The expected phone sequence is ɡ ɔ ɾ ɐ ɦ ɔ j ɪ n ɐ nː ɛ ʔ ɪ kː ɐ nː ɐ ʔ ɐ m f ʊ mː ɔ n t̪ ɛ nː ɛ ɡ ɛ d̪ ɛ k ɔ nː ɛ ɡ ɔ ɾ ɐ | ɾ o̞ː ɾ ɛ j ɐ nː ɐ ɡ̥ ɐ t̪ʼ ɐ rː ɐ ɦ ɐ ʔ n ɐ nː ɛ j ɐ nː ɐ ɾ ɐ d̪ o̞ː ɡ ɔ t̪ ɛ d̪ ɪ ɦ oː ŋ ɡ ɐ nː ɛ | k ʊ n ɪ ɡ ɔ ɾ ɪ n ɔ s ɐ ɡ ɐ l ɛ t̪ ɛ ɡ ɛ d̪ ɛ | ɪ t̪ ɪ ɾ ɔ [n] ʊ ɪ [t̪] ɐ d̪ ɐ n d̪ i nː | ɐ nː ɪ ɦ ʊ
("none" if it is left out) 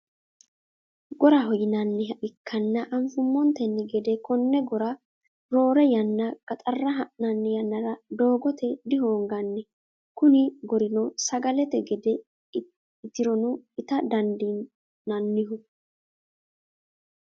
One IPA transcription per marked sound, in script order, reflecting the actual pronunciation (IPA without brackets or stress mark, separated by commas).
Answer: n, t̪